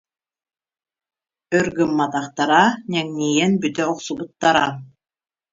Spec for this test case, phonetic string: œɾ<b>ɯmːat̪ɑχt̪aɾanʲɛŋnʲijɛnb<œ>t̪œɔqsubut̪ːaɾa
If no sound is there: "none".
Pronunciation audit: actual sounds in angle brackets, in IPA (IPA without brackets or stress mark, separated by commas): ɡ, y